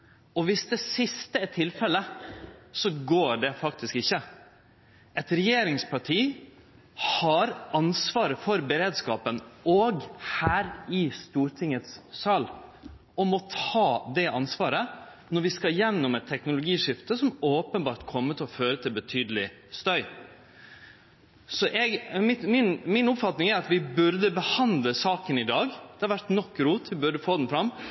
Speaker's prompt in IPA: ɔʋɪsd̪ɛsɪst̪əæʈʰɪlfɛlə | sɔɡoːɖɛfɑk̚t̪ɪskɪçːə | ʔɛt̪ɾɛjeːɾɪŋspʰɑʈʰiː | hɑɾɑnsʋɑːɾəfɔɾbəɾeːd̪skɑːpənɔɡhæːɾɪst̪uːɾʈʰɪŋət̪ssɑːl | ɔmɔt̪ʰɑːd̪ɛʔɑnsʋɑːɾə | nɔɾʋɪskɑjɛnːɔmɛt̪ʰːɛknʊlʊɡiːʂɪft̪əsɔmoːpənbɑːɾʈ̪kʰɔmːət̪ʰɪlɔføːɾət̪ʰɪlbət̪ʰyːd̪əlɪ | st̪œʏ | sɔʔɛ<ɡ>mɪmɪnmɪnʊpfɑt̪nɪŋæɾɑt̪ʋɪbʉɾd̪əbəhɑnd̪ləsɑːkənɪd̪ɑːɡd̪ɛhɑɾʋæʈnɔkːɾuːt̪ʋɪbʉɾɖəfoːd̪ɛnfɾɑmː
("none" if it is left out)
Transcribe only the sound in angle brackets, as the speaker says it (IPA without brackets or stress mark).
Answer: ɡ